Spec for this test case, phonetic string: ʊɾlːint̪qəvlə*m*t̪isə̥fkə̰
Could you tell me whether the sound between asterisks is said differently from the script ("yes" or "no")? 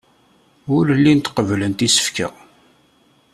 yes